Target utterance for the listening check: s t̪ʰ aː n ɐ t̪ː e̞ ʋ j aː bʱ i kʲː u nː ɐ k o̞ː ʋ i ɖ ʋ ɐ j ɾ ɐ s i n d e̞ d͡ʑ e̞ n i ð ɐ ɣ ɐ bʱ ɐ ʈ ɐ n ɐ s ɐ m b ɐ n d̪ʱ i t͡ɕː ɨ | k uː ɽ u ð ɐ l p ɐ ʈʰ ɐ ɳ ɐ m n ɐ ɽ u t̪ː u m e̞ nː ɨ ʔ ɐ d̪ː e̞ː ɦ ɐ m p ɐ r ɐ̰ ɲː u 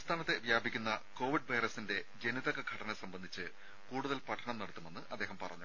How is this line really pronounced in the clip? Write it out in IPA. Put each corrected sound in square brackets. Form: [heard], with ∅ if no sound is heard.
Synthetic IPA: s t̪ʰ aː n ɐ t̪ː e̞ ʋ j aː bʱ i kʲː u nː ɐ k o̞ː ʋ i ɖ ʋ ɐ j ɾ ɐ s i n d e̞ d͡ʑ e̞ n i ð ɐ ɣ ɐ [ɡʱ] ɐ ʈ ɐ n ɐ s ɐ m b ɐ n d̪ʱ i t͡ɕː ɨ | k uː ɽ u ð ɐ l p ɐ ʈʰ ɐ ɳ ɐ m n ɐ ɽ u t̪ː u m e̞ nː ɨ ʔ ɐ d̪ː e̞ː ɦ ɐ m p ɐ r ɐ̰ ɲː u